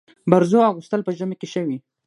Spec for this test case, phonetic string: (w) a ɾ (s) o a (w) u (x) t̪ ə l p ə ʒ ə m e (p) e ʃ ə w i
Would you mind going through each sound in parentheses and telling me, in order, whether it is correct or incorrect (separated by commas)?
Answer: incorrect, incorrect, incorrect, incorrect, incorrect